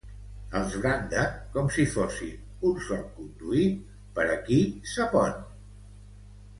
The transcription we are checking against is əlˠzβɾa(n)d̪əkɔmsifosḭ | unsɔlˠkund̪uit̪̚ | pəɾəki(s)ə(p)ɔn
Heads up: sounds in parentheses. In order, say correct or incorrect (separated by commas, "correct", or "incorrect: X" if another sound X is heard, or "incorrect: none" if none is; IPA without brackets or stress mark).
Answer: correct, correct, correct